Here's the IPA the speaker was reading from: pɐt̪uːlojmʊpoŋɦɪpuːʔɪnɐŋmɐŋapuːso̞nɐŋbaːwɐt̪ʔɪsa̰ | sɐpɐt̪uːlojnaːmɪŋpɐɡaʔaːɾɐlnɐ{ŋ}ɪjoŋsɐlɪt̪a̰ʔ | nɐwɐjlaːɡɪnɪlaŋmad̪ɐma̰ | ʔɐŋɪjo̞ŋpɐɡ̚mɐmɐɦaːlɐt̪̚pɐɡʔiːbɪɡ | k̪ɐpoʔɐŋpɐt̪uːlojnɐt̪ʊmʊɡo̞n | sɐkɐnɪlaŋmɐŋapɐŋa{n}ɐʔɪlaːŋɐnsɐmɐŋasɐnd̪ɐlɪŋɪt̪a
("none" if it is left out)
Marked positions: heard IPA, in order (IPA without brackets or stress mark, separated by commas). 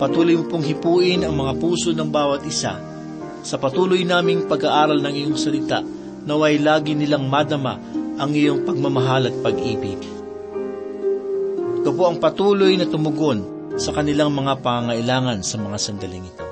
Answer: ŋ, ŋ